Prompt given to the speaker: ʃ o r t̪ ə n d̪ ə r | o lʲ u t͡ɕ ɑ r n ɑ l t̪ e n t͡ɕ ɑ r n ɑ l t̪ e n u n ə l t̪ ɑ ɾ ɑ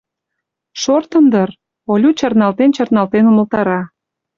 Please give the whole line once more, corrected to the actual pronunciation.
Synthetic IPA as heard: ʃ o r t̪ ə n d̪ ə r | o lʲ u t͡ɕ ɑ r n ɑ l t̪ e n t͡ɕ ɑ r n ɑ l t̪ e n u m ə l t̪ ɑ ɾ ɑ